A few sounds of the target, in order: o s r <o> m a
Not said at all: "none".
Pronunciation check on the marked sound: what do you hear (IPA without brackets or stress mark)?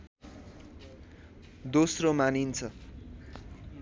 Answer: o